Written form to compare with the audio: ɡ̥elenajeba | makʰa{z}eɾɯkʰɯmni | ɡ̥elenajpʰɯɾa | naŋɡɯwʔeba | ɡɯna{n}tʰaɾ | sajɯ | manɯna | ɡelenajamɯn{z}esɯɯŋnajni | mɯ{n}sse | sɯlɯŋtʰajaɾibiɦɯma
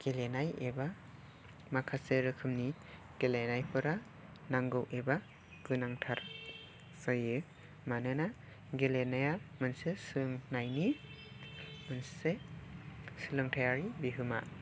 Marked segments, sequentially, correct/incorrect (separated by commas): incorrect, incorrect, incorrect, correct